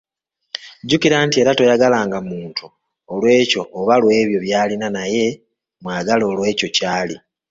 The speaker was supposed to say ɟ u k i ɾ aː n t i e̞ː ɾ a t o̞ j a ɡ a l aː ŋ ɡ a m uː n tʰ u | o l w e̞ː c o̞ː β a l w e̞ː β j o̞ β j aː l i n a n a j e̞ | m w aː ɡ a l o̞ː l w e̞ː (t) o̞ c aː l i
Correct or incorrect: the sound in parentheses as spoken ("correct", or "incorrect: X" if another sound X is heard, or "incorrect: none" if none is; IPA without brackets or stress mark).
incorrect: c